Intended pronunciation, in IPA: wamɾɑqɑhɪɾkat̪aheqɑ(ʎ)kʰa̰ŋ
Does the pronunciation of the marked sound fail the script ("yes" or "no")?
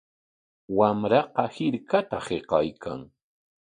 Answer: yes